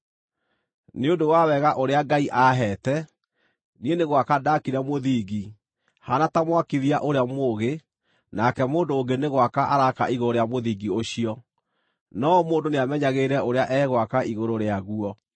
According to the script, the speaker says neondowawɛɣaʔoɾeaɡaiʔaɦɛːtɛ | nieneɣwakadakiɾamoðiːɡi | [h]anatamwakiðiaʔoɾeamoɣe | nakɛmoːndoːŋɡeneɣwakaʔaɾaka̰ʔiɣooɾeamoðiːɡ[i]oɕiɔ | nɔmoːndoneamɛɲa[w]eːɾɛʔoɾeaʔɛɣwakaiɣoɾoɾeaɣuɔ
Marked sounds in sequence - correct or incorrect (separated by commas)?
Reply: correct, correct, incorrect